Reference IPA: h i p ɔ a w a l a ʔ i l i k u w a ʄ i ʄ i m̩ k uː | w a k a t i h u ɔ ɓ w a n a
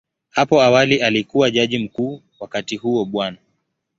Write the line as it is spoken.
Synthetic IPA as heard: h a p ɔ a w a l i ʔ a l i k u w a ʄ a ʄ i m̩ k uː | w a k a t i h u ɔ ɓ w a n a